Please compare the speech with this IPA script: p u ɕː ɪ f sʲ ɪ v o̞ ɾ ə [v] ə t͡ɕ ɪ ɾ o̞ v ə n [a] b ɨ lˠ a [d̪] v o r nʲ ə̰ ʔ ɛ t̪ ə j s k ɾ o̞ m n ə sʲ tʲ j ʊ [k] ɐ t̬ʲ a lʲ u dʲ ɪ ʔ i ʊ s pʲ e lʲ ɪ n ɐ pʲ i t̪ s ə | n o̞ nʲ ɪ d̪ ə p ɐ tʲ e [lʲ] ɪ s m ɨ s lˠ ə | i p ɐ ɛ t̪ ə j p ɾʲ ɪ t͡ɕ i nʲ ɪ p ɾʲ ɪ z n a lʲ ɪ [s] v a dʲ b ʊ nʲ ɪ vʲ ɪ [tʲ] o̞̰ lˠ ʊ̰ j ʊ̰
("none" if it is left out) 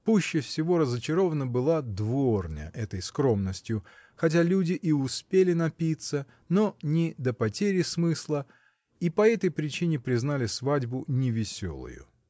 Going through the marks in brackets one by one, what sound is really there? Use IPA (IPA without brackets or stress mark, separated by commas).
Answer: z, ə, d̪, x, ɾʲ, s, sʲ